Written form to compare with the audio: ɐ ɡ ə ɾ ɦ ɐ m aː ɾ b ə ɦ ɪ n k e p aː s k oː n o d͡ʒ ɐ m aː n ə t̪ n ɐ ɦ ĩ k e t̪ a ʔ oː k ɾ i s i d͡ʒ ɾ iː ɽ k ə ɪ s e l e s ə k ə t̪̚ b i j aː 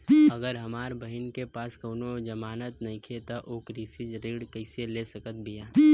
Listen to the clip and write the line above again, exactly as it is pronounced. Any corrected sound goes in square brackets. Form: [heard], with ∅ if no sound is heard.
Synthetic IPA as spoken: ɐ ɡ ə ɾ ɦ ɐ m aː ɾ b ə ɦ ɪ n k e p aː s k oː n o d͡ʒ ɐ m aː n ə t̪ n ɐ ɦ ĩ [kʰ] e t̪ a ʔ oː k ɾ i s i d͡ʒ ɾ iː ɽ k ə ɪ s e l e s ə k ə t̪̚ b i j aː

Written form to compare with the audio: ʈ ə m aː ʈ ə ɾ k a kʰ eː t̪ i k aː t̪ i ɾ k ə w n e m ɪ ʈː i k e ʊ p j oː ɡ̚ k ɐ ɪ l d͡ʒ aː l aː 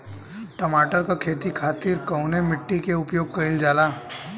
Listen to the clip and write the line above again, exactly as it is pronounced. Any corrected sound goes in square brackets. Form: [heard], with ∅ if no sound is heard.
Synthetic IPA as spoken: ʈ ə m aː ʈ ə ɾ k a kʰ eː t̪ i [kʰ] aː t̪ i ɾ k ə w n e m ɪ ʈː i k e ʊ p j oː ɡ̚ k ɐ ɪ l d͡ʒ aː l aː

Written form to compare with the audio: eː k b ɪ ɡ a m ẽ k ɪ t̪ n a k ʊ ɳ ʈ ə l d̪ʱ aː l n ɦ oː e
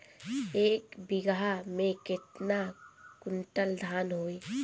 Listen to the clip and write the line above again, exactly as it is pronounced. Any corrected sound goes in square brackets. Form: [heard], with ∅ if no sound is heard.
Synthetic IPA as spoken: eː k b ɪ ɡ a m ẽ k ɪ t̪ n a k ʊ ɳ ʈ ə l d̪ʱ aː [∅] n ɦ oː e

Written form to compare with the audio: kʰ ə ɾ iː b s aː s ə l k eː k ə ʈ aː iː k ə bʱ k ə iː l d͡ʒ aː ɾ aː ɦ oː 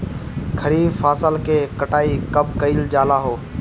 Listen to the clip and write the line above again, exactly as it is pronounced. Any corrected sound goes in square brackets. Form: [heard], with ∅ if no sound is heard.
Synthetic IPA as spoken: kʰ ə ɾ iː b [f] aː s ə l k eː k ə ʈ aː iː k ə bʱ k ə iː l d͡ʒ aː [l] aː ɦ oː

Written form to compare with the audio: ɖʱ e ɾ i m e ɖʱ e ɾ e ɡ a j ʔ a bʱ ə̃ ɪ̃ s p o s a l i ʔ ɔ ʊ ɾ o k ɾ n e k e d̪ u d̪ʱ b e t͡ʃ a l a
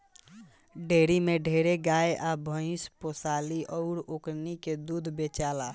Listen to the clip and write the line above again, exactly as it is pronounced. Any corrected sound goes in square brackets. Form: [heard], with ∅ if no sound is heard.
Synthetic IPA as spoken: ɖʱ e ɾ i m e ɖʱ e ɾ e ɡ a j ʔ a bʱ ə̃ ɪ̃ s p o s a l i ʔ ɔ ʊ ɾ o k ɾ n [i] k e d̪ u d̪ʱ b e t͡ʃ a l a

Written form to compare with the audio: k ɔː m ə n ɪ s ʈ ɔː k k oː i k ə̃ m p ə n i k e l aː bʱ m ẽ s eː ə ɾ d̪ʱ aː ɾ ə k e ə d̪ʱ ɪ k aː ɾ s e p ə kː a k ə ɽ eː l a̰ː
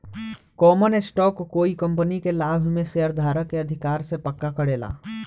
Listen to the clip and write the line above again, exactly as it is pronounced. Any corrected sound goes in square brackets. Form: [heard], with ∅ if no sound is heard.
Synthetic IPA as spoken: k ɔː m ə n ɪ s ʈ ɔː k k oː i k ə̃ m p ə n i k e l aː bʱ m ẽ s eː ə ɾ d̪ʱ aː ɾ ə k e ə d̪ʱ ɪ k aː ɾ s e p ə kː a k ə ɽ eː l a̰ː

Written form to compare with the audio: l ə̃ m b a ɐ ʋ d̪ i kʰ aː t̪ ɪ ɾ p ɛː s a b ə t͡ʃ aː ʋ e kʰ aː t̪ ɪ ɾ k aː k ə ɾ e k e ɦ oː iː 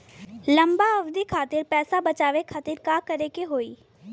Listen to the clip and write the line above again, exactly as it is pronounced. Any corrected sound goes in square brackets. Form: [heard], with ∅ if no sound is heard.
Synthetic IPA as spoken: l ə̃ m b a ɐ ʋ d̪ i kʰ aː t̪ ɪ ɾ p ɛː s a b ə t͡ʃ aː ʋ e kʰ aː t̪ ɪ ɾ k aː k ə ɾ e k e ɦ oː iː

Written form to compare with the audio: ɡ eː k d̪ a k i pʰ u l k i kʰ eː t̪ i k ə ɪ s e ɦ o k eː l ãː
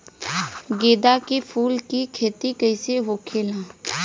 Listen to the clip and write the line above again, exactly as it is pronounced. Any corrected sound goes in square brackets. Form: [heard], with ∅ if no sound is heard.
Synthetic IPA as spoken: ɡ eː [∅] d̪ a k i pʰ [uː] l k i kʰ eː t̪ i k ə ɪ s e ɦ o [kʰ] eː l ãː

